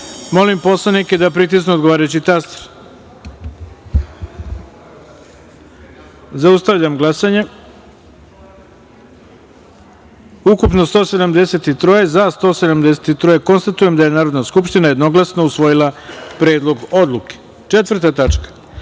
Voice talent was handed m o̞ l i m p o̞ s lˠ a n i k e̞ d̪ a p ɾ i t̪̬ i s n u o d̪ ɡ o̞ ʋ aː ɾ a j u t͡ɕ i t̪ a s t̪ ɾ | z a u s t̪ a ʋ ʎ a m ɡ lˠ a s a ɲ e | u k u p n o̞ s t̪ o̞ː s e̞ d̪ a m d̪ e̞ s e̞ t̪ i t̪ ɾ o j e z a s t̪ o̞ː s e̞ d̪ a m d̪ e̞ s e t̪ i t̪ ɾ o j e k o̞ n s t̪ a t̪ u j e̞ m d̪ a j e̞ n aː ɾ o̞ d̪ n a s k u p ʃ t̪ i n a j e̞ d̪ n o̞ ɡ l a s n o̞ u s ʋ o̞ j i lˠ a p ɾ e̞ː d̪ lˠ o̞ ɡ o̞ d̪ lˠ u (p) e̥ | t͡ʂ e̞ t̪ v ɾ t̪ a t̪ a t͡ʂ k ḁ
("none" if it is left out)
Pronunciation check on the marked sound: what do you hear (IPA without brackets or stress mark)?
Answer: k